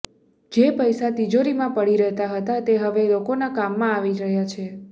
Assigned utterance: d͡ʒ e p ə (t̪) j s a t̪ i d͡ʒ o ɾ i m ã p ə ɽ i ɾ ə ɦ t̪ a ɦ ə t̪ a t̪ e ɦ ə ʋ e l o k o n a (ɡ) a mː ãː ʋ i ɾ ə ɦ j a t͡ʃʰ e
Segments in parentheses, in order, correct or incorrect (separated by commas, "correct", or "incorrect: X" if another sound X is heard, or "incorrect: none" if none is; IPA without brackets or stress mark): incorrect: none, incorrect: k